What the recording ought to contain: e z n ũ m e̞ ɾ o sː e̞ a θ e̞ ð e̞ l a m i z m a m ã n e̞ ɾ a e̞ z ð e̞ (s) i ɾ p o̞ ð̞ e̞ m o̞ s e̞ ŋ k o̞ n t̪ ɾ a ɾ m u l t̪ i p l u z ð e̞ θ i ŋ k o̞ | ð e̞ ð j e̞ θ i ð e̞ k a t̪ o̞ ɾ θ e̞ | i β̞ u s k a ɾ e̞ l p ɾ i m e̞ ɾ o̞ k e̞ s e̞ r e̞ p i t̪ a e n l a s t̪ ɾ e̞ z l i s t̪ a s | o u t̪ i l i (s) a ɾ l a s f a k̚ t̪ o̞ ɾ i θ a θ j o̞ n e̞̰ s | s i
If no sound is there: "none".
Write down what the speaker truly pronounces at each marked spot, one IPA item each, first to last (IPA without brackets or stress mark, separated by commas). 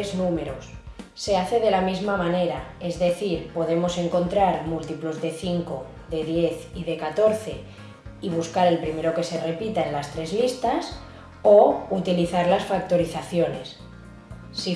θ, θ